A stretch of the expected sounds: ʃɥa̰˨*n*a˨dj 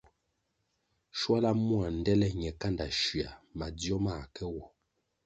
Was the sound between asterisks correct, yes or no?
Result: no